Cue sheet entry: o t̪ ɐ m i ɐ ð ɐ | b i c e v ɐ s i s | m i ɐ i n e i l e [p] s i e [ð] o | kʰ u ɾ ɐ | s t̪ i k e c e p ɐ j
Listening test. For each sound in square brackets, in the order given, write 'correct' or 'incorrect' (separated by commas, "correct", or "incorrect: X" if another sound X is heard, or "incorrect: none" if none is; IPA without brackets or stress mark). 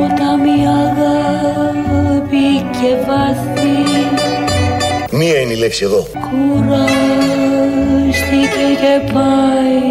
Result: incorrect: k, correct